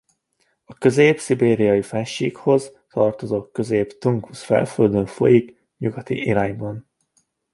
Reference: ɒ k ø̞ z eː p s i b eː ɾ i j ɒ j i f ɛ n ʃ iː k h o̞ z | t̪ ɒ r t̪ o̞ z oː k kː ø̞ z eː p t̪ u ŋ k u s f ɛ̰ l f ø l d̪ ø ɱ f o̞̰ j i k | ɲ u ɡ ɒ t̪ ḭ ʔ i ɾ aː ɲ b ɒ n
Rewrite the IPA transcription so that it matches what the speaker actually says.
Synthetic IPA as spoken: ɒ k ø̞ z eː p s i b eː ɾ i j ɒ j i f ɛ n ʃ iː k h o̞ z | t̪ ɒ r t̪ o̞ z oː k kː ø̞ z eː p t̪ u ŋ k u s f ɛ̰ l f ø l d̪ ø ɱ f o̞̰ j i k | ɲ u ɡ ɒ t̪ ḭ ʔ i ɾ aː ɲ b ɒ n